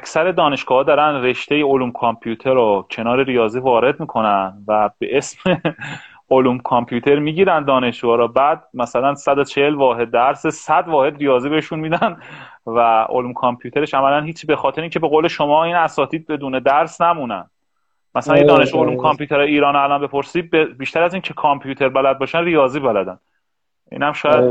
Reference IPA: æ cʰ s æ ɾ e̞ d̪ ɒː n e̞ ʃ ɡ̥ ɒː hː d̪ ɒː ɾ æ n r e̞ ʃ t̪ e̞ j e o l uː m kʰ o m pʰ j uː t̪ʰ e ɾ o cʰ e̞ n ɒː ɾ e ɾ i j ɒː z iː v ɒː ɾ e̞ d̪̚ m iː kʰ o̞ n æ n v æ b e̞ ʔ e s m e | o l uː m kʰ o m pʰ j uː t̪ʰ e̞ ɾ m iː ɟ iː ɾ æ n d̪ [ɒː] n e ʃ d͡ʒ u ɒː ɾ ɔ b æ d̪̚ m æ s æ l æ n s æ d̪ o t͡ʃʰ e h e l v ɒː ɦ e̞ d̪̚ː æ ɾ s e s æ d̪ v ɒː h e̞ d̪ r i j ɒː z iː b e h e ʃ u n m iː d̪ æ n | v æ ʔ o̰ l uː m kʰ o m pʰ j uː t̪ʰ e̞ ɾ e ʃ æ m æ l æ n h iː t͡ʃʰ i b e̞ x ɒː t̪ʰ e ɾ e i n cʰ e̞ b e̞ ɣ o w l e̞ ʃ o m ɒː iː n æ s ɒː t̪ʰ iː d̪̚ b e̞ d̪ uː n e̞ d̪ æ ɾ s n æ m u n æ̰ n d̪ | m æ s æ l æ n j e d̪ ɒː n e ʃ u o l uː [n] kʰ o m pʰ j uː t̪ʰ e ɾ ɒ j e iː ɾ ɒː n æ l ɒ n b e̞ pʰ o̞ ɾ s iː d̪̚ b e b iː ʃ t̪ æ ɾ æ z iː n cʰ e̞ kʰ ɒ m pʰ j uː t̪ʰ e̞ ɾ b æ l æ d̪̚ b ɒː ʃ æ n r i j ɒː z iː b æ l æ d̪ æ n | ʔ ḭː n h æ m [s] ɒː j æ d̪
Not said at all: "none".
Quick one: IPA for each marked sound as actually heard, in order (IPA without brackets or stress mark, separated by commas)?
ɒː, m, ʃ